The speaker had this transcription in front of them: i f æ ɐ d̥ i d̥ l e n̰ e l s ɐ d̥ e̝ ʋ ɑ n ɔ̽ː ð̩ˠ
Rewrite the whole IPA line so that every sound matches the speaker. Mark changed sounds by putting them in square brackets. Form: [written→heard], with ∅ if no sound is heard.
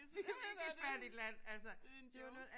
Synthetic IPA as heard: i f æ ɐ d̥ i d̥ l [e→æ] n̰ [e→æ] l s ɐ d̥ e̝ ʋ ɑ n ɔ̽ː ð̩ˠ